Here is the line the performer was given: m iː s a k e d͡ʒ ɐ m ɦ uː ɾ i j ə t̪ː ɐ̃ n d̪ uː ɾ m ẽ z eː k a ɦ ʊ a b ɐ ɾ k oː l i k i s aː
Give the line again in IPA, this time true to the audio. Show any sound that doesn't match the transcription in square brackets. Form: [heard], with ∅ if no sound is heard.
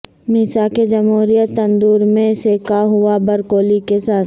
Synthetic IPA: m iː s a k e d͡ʒ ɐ m ɦ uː ɾ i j ə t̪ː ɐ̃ n d̪ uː ɾ m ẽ [s] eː k a ɦ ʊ a b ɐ ɾ k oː l i k [e] s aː

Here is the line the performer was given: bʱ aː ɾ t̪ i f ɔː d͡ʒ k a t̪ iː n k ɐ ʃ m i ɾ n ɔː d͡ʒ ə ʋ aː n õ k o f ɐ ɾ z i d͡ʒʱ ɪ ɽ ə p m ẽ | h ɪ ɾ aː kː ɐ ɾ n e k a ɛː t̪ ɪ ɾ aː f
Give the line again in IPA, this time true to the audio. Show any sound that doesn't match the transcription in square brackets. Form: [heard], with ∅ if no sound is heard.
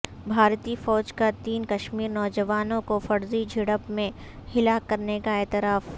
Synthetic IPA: bʱ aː ɾ t̪ i f ɔː d͡ʒ k a t̪ iː n k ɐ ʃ m [iː] ɾ n ɔː d͡ʒ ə ʋ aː n õ k o f ɐ ɾ z i d͡ʒʱ ɪ ɽ ə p m ẽ | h ɪ [l] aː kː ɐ ɾ n e k a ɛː t̪ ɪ ɾ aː f

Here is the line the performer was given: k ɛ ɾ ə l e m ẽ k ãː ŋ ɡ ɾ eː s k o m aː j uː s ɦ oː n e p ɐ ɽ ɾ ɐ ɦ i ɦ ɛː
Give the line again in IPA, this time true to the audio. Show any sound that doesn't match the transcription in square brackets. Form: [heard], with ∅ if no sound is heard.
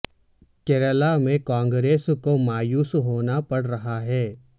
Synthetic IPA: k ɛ ɾ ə l [a] m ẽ k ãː ŋ ɡ ɾ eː s k o m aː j uː s ɦ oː n [a] p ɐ ɽ ɾ ɐ ɦ [a] ɦ ɛː

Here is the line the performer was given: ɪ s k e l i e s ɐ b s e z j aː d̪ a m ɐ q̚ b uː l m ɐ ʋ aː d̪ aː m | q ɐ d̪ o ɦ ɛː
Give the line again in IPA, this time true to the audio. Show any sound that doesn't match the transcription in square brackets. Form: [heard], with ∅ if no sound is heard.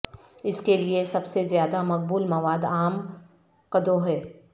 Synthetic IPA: ɪ s k e l i e s ɐ b s e z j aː d̪ a m ɐ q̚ b uː l m ɐ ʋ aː d̪ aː m | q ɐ d̪ o ɦ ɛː

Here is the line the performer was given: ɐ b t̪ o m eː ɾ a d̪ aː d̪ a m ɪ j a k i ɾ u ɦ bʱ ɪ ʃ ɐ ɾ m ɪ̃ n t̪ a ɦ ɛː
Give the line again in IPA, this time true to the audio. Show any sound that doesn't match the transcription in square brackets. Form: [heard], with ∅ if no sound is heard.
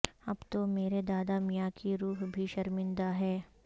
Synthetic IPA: ɐ b t̪ o m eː ɾ [e] d̪ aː d̪ a m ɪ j a k i ɾ [uː] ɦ bʱ [i] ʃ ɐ ɾ m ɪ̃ n [d̪] a ɦ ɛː

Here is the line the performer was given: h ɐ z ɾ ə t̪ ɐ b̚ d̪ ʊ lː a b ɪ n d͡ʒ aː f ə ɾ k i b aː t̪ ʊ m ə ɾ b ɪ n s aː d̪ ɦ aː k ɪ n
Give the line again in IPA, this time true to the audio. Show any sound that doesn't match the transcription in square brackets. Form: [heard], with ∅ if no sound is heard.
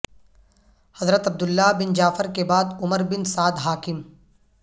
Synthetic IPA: h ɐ z ɾ ə t̪ ɐ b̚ d̪ ʊ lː a b ɪ n d͡ʒ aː f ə ɾ k [e] b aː [d̪] ʊ m ə ɾ b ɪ n s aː d̪ ɦ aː k ɪ [m]

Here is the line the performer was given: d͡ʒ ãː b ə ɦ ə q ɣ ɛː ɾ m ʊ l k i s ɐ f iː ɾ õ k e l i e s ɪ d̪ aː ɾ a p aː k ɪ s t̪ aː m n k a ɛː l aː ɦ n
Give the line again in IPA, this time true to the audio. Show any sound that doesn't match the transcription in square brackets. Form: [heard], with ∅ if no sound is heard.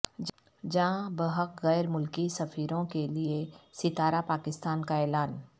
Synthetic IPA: d͡ʒ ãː b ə ɦ ə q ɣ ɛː ɾ m ʊ l k i s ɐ f iː ɾ õ k e l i e s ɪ [t̪] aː ɾ a p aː k ɪ s t̪ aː [∅] n k a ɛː l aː [∅] n

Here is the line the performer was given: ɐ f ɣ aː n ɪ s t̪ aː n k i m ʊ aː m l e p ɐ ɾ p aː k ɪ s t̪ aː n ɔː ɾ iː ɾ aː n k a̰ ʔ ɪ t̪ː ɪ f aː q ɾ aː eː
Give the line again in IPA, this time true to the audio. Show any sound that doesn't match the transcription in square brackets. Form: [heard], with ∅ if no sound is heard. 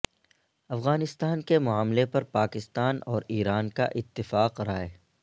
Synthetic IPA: ɐ f ɣ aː n ɪ s t̪ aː n k [e] m ʊ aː m l e p ɐ ɾ p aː k ɪ s t̪ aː n ɔː ɾ iː ɾ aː n k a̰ ʔ ɪ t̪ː ɪ f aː q ɾ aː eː

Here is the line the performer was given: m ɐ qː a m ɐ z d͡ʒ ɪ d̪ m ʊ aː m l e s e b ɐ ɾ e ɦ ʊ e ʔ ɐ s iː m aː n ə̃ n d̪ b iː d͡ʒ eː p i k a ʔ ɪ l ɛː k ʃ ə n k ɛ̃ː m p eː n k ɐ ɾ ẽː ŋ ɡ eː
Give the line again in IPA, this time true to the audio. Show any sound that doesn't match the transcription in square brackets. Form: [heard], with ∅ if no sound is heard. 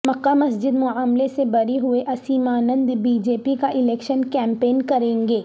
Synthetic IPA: m ɐ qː a m ɐ [s] d͡ʒ ɪ d̪ m ʊ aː m l e s e b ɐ ɾ e ɦ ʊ e ʔ ɐ s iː m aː n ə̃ n d̪ b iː d͡ʒ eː p i k a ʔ ɪ l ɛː k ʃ ə n k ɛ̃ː m p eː n k ɐ ɾ ẽː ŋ ɡ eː

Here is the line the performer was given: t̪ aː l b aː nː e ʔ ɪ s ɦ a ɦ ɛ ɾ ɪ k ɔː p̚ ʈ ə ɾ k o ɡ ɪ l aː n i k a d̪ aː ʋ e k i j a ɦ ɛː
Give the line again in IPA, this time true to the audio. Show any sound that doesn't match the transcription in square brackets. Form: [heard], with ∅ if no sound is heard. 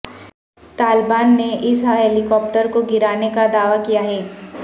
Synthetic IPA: t̪ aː l b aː nː e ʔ ɪ s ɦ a ɦ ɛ [l] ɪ k ɔː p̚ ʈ ə ɾ k o ɡ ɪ [ɾ] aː n [e] k a d̪ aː ʋ [a] k i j a ɦ ɛː

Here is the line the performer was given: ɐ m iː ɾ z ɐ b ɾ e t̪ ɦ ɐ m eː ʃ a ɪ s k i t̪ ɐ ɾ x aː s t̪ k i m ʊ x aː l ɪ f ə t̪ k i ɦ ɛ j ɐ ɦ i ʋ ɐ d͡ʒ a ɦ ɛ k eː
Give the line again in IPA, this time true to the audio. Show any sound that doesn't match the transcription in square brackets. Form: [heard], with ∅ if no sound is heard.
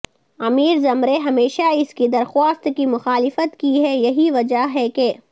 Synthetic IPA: ɐ m iː ɾ z ɐ [m] ɾ e [∅] ɦ ɐ m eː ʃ a ɪ s k i [d̪] ɐ ɾ x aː s t̪ k i m ʊ x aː l ɪ f ə t̪ k i ɦ ɛ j ɐ ɦ i ʋ ɐ d͡ʒ a ɦ ɛ k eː

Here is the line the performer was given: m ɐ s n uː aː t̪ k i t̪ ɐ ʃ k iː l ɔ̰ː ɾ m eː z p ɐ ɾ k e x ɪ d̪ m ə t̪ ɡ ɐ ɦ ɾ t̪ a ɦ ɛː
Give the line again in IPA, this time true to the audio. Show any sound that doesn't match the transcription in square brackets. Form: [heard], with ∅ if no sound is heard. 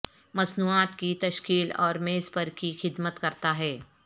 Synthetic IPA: m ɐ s n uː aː t̪ k i t̪ ɐ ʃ k iː l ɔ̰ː ɾ m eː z p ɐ ɾ k [i] x ɪ d̪ m ə t̪ [k] ɐ [∅] ɾ t̪ a ɦ ɛː

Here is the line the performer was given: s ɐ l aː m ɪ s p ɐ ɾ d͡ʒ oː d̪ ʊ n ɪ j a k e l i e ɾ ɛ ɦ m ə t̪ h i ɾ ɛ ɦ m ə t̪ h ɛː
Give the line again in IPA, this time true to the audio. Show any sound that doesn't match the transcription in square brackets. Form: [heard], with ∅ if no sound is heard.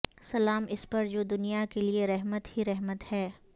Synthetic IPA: s ɐ l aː m ɪ s p ɐ ɾ d͡ʒ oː d̪ ʊ n [i] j a k e l i e ɾ ɛ ɦ m ə t̪ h i ɾ ɛ ɦ m ə t̪ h ɛː

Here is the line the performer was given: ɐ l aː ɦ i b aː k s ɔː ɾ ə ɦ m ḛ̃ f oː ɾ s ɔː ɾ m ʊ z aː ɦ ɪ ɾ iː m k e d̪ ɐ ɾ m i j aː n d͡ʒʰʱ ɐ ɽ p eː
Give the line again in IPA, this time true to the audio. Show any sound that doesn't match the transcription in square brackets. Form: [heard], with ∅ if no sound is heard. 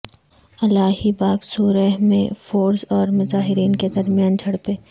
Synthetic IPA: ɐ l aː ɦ i b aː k s [uː] ɾ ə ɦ m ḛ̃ f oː ɾ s ɔː ɾ m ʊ z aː ɦ ɪ ɾ iː [n] k e d̪ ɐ ɾ m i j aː n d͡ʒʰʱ ɐ ɽ p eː

